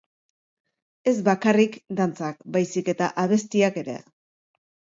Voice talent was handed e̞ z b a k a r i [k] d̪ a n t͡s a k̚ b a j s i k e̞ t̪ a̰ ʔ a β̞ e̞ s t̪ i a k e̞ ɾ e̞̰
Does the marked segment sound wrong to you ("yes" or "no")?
no